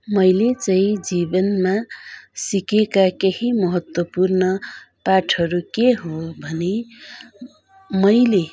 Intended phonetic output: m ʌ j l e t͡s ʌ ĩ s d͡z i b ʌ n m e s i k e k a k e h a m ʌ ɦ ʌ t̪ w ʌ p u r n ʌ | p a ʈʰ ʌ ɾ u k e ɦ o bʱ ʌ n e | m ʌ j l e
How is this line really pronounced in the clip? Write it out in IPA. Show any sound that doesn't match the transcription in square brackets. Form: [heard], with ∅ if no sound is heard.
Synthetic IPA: m ʌ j l e t͡s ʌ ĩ [∅] d͡z i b ʌ n m [a] s i k e k a k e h [i] m ʌ ɦ ʌ t̪ w ʌ p u r n ʌ | p a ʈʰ ʌ ɾ u k e ɦ o bʱ ʌ n e | m ʌ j l e